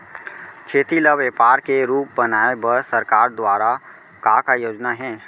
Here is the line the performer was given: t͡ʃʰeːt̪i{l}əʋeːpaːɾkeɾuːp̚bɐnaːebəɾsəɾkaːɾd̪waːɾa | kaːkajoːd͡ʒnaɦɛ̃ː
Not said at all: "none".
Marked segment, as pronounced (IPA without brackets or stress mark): l